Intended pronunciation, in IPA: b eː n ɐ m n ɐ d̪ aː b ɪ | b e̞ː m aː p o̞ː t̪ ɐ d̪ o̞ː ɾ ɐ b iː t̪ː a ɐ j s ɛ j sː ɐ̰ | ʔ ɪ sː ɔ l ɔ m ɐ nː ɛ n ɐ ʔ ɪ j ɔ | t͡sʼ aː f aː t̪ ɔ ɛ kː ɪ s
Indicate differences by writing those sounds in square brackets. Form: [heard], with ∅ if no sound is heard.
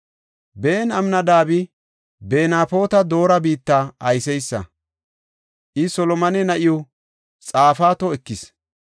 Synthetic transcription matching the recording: b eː n ɐ m n ɐ d̪ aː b ɪ | b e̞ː [n] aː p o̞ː t̪ ɐ d̪ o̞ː ɾ ɐ b iː t̪ː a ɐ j s ɛ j sː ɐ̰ | ʔ ɪ [s] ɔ l ɔ m ɐ [n] ɛ n ɐ ʔ ɪ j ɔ | t͡sʼ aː f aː t̪ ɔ ɛ kː ɪ s